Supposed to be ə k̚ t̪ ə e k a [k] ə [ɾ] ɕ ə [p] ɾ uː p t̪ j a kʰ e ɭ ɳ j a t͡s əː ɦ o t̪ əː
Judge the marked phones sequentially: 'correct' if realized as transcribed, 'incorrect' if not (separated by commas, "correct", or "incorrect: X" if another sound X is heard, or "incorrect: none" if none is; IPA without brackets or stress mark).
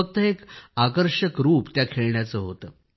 correct, correct, incorrect: k